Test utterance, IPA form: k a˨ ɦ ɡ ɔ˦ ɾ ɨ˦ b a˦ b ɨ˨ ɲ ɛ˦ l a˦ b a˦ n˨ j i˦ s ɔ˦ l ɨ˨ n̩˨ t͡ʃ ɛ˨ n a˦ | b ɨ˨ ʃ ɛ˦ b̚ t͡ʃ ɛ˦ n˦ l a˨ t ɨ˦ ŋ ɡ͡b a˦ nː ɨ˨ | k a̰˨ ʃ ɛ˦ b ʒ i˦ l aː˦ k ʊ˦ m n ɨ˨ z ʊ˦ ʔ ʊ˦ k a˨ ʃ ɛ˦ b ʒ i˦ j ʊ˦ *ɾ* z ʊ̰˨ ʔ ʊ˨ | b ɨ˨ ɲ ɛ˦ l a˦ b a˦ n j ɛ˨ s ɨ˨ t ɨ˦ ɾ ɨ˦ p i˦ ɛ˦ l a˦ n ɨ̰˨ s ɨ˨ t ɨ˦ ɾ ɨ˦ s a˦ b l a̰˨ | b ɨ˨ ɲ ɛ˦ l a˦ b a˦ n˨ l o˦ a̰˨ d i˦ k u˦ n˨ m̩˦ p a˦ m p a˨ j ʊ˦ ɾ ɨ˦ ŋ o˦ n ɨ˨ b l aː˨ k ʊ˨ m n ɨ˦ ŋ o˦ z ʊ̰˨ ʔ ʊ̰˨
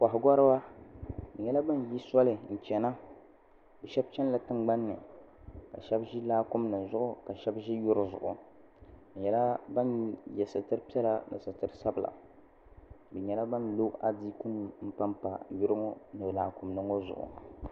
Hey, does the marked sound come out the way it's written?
yes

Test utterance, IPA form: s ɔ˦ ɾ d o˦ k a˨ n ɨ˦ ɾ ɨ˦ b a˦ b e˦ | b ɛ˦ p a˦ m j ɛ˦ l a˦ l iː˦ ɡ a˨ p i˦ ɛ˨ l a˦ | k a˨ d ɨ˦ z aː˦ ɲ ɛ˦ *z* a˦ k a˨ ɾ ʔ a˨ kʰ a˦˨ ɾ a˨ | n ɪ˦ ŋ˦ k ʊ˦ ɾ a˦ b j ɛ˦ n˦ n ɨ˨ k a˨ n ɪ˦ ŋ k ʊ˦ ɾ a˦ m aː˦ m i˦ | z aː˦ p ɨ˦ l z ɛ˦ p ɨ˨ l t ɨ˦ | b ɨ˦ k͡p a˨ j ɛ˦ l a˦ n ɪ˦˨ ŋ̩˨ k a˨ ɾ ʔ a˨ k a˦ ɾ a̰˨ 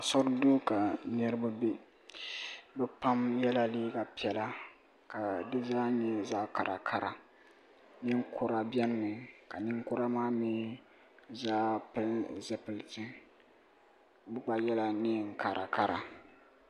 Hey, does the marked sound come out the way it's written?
yes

